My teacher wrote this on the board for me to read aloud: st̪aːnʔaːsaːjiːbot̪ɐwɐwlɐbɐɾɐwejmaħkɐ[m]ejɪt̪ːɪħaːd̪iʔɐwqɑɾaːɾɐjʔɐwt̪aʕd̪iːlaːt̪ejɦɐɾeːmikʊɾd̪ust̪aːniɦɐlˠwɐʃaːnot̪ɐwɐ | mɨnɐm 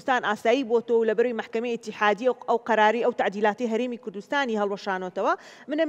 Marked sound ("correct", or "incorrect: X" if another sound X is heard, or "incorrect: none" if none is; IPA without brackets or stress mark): correct